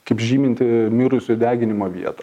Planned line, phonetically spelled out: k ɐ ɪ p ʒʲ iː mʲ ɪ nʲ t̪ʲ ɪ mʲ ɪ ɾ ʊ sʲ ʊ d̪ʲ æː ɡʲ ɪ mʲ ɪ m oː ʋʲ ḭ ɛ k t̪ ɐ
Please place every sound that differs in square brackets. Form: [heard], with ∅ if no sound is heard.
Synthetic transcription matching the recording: k ɐ ɪ p ʒʲ iː mʲ ɪ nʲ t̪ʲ ɪ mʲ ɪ ɾ ʊ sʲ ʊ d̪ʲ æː ɡʲ ɪ [nʲ] ɪ m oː ʋʲ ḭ ɛ [∅] t̪ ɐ